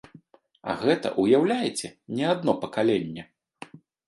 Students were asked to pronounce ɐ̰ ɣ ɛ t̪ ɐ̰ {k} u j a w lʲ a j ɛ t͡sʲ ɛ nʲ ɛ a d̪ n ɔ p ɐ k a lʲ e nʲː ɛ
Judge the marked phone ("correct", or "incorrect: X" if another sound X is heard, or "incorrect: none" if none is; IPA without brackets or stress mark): incorrect: ʔ